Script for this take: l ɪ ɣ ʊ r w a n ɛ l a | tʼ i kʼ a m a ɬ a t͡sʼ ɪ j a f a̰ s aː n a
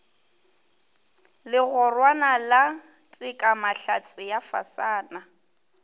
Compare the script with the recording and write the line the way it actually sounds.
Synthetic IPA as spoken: l ɪ ɣ ʊ r w a n a l a | tʼ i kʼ a m a ɬ a t͡sʼ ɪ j a f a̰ s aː n a